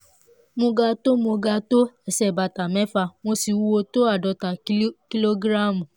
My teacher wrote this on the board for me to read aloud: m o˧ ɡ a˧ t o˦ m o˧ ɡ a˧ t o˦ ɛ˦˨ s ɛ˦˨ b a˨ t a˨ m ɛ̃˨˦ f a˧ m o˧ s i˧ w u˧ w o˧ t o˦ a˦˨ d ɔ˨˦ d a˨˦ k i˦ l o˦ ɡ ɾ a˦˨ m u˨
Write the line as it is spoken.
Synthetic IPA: m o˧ ɡ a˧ t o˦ m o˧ ɡ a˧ t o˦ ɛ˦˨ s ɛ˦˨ b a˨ t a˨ m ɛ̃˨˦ f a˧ m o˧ s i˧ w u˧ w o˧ t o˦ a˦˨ d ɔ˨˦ t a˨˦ k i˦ l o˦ ɡ ɾ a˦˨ m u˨